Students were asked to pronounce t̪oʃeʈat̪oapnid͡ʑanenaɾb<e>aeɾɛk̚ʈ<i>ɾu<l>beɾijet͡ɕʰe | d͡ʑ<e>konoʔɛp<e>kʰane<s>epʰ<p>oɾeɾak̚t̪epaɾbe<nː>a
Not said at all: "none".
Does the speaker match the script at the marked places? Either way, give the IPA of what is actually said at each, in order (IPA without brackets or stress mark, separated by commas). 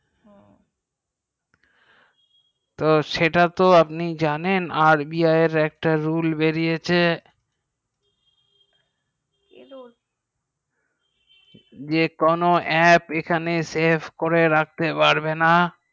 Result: i, a, l, e, e, s, k, n